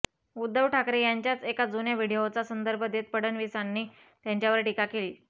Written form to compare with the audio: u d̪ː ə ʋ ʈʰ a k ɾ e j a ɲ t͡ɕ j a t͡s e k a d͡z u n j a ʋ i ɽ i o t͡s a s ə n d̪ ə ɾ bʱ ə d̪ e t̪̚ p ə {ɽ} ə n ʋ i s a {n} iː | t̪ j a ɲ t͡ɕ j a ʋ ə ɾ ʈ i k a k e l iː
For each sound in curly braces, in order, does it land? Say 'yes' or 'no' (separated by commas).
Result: yes, no